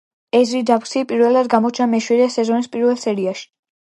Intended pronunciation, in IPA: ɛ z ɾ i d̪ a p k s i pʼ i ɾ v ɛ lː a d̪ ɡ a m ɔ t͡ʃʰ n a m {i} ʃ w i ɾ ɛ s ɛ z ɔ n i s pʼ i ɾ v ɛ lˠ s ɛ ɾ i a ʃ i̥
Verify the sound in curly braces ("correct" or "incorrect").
incorrect